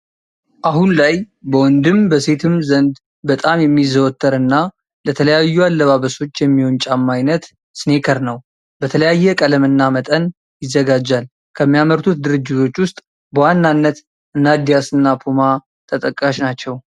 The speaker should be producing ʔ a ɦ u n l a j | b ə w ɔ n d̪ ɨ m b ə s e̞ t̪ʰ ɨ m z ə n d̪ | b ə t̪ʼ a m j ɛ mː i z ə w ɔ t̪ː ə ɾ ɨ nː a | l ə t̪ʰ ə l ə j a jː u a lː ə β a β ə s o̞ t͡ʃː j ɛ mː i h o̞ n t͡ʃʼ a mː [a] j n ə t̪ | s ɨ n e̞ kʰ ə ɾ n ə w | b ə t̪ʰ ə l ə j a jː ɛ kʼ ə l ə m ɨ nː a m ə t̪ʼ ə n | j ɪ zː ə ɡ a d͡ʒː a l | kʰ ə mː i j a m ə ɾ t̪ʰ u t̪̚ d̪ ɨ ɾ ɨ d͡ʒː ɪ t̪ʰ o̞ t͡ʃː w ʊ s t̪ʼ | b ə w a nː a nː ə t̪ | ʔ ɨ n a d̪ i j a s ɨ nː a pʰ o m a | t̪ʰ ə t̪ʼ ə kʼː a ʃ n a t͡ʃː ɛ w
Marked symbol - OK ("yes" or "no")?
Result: yes